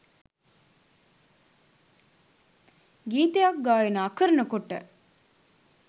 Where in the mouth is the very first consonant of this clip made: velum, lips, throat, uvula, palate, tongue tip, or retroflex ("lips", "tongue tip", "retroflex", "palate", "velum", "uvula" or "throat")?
velum